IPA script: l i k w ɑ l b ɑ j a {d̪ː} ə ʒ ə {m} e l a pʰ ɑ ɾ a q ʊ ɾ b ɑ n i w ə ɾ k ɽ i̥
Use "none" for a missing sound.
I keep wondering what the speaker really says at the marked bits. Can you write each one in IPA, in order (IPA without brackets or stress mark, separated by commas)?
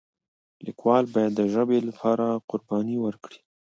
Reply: d̪ː, b